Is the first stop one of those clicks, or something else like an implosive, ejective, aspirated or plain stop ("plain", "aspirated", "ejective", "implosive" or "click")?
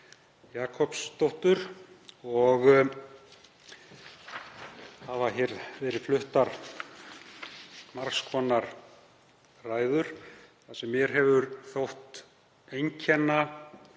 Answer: aspirated